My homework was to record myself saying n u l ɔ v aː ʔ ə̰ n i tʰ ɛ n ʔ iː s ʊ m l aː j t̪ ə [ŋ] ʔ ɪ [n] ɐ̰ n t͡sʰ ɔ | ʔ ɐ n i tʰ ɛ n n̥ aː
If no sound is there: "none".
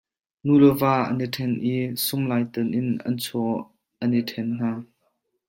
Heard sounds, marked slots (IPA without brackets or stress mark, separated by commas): n, n